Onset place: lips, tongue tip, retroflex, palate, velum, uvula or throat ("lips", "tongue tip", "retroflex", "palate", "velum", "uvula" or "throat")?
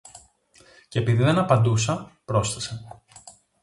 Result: palate